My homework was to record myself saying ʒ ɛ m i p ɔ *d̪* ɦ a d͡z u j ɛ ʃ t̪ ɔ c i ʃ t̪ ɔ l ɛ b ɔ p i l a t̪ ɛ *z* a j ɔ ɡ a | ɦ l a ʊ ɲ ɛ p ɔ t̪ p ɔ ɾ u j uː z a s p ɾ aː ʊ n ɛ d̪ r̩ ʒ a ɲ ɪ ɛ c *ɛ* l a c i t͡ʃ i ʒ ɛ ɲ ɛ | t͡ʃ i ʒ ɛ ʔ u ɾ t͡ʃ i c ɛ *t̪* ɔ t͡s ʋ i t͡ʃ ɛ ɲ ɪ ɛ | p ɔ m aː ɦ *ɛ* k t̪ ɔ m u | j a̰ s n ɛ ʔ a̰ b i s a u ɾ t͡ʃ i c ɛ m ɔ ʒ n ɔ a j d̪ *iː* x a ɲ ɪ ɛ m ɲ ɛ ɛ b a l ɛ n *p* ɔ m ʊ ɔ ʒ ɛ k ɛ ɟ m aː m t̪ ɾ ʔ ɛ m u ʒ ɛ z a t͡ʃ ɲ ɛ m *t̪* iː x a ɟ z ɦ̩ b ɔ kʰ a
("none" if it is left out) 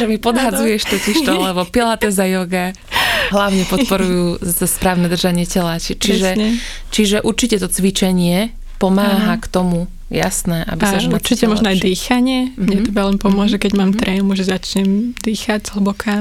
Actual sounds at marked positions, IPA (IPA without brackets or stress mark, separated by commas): d̪, z, ɛ, t̪, a, iː, p, d̪